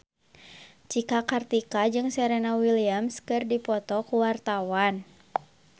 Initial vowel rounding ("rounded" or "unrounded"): unrounded